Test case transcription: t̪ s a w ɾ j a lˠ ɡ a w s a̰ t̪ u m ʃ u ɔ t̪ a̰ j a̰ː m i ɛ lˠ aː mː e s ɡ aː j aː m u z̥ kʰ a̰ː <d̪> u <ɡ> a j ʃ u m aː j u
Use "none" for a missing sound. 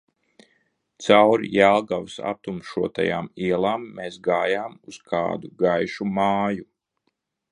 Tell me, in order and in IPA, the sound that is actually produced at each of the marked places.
d̪, ɡ

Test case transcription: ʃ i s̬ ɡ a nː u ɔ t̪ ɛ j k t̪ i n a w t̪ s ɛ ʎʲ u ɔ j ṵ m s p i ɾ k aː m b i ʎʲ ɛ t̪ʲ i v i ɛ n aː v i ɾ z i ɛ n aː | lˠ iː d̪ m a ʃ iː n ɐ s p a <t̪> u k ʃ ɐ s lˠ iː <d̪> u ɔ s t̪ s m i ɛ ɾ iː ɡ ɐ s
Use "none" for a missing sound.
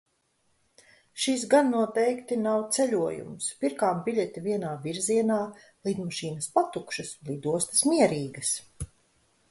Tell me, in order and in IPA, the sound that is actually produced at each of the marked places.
t̪, d̪

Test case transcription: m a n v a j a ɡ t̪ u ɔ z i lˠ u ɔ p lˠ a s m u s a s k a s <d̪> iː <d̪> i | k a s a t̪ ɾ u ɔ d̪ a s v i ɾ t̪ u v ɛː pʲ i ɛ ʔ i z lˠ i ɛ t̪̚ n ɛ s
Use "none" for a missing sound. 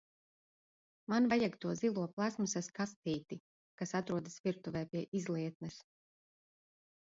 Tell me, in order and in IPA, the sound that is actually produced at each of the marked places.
t̪, t̪

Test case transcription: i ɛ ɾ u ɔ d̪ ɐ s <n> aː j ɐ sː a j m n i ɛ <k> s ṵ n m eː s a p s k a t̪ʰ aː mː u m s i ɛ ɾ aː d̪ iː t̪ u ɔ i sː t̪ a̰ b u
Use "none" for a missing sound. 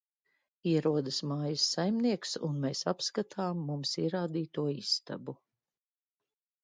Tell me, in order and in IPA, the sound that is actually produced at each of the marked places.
m, k

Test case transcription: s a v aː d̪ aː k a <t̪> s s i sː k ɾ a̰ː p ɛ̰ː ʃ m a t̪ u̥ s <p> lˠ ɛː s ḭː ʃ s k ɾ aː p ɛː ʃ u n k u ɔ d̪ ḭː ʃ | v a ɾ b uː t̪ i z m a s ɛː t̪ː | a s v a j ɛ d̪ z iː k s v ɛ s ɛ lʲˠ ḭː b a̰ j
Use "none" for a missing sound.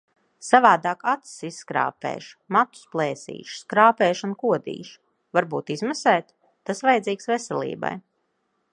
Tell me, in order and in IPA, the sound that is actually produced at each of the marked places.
t̪, p

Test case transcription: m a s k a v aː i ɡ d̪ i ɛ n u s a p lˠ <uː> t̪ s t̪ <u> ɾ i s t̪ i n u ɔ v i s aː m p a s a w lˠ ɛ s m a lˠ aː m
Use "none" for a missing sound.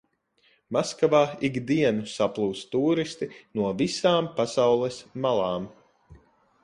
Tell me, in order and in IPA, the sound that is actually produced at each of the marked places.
uː, uː

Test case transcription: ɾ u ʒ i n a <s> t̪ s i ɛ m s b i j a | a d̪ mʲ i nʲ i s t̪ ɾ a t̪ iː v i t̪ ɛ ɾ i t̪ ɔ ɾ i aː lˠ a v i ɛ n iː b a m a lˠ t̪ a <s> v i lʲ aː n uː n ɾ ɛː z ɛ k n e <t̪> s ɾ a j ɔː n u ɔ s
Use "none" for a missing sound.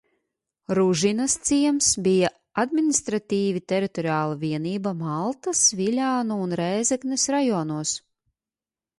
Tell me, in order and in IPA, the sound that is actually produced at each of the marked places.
s, s, none

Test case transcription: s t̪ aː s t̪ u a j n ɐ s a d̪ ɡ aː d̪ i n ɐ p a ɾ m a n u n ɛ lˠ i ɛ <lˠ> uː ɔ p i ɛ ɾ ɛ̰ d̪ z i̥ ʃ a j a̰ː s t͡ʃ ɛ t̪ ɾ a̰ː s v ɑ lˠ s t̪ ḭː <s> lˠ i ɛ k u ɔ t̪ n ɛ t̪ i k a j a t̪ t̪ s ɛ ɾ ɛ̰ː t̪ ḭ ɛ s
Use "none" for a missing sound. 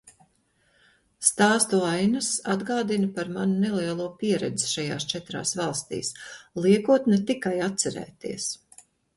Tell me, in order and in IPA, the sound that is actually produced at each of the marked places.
lˠ, s

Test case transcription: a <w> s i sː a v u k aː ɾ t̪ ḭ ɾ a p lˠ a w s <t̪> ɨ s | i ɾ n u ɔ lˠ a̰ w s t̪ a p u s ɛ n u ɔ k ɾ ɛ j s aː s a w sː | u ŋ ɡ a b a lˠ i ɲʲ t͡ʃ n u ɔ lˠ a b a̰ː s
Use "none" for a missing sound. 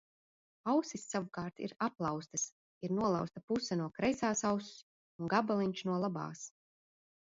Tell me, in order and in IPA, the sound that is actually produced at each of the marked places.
w, t̪

